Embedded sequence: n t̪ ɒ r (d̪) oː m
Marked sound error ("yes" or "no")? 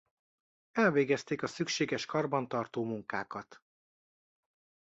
yes